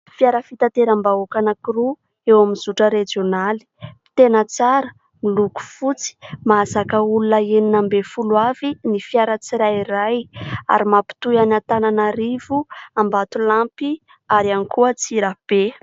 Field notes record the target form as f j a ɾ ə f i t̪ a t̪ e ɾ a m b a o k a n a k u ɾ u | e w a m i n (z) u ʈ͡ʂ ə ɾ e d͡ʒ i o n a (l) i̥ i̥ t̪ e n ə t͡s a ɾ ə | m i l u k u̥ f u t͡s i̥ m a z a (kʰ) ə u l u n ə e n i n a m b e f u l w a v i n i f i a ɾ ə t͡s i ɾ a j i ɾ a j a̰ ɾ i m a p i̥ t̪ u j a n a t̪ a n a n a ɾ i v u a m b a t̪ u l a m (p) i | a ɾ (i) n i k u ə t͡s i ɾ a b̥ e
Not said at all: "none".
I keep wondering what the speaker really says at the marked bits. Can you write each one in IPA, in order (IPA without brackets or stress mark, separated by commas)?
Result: z, l, k, p, a